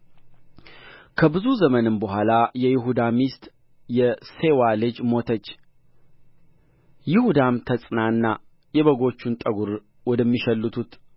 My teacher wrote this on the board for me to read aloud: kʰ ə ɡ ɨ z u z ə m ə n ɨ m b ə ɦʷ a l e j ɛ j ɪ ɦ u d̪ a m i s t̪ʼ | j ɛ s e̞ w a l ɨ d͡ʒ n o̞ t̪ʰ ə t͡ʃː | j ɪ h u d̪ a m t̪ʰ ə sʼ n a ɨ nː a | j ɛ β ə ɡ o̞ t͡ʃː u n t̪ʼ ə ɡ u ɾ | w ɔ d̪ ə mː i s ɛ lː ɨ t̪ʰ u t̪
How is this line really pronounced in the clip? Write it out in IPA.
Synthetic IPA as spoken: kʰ ə b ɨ z u z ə m ə n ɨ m b ə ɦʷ a l a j ɛ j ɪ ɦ u d̪ a m i s t̪ʼ | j ɛ s e̞ w a l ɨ d͡ʒ m o̞ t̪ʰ ə t͡ʃː | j ɪ h u d̪ a m t̪ʰ ə sʼ n a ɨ nː a | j ɛ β ə ɡ o̞ t͡ʃː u n t̪ʼ ə ɡ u ɾ | w ɔ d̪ ə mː i ʃ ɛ lː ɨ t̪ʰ u t̪